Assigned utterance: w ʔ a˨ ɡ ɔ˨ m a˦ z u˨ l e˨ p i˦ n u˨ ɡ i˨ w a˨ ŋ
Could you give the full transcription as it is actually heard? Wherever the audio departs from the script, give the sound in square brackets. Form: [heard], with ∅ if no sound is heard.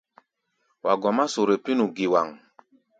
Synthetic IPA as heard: w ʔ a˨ ɡ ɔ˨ m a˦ [s] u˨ [ɾ] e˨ p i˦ n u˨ ɡ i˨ w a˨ ŋ